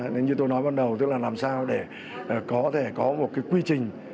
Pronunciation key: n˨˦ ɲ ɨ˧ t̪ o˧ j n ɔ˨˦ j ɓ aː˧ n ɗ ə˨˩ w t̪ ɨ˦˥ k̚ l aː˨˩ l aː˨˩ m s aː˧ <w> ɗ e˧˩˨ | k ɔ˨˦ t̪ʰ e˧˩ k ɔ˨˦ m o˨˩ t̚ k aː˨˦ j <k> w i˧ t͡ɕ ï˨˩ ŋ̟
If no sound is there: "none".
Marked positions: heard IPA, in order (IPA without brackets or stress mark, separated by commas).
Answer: w, k